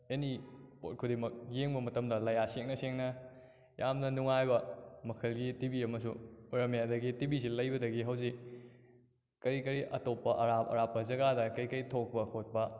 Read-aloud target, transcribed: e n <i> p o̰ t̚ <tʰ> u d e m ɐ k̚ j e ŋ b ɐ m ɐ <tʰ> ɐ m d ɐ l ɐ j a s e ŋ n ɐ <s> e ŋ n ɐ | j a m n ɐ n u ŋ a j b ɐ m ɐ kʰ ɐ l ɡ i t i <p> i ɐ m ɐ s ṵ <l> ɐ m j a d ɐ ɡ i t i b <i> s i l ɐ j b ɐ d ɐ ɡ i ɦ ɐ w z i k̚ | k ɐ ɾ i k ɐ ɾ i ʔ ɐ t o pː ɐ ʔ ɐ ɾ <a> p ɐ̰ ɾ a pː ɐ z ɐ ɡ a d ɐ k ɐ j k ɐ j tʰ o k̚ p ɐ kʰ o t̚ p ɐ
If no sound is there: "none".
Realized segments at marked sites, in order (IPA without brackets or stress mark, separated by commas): i, kʰ, t, s, b, ɾ, i, a